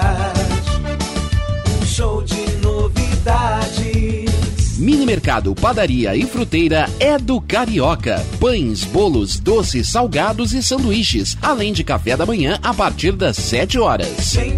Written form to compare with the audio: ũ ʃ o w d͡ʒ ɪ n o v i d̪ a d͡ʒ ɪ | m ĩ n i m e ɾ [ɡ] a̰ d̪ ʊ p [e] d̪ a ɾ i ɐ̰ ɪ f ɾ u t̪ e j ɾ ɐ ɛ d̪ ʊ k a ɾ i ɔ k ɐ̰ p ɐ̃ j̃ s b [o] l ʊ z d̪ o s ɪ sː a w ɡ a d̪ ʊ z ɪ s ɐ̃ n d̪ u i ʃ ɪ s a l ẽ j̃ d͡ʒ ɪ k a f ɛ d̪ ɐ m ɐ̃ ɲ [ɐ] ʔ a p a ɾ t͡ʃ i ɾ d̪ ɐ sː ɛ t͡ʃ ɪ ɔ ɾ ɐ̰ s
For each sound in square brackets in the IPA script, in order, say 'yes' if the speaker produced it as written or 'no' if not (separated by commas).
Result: no, no, yes, no